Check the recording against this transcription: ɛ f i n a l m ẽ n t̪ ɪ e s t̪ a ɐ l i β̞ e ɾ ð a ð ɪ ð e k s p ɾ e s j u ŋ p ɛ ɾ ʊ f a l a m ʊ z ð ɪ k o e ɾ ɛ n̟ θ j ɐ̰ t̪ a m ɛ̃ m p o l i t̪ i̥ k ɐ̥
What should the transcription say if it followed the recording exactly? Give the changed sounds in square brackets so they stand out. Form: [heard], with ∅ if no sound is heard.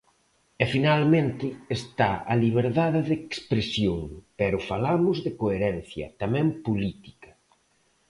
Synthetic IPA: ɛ f i n a l m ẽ n t̪ ɪ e s t̪ a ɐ l i β̞ e ɾ ð a ð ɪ ð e k s p ɾ e s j [o] ŋ p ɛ ɾ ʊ f a l a m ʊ z ð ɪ k o e ɾ ɛ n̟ θ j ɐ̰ t̪ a m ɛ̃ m p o l i t̪ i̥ k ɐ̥